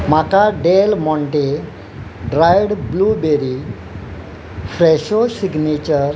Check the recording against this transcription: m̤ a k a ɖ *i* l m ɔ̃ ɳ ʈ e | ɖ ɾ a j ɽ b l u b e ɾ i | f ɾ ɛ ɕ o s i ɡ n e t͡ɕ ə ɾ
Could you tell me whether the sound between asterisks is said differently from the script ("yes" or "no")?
yes